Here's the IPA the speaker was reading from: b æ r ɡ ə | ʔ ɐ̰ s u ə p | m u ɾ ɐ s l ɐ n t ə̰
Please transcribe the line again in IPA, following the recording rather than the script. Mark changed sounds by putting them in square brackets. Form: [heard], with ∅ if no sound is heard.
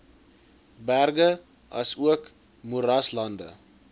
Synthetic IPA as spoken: b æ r ɡ ə | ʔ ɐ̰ s u ə [k] | m u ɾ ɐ s l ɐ n [d] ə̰